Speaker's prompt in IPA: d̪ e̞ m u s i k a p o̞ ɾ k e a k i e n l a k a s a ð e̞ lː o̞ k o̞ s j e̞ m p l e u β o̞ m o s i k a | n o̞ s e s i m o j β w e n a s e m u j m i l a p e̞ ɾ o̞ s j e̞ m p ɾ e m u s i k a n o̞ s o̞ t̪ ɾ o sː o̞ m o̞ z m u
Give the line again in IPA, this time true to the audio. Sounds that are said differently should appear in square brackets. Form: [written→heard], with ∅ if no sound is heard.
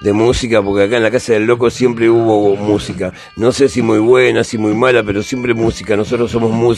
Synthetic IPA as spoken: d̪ e̞ m u s i k a p o̞ ɾ k e a k [i→a] e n l a k a s a ð e̞ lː o̞ k o̞ s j e̞ m p [l→ɾ] e u β o̞ m [o→u] s i k a | n o̞ s e s i m [o→u] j β w e n a s [e→i] m u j m [i→a] l a p e̞ ɾ o̞ s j e̞ m p ɾ e m u s i k a n o̞ s o̞ t̪ ɾ o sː o̞ m o̞ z m u